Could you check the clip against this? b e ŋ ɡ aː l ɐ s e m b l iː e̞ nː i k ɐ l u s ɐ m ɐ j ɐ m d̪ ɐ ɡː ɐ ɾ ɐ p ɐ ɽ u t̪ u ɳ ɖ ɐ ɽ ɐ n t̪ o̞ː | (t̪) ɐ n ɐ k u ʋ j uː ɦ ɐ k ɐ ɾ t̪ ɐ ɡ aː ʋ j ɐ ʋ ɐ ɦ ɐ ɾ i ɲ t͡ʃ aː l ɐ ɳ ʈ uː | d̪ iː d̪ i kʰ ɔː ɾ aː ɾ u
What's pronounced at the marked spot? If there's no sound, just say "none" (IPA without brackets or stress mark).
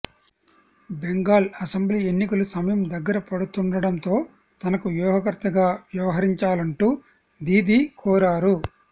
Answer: t̪